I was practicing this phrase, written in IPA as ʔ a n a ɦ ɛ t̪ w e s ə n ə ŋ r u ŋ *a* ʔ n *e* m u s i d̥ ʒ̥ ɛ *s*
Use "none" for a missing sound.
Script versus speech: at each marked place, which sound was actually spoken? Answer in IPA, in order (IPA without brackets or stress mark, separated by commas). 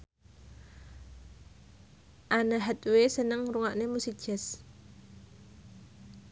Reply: a, e, s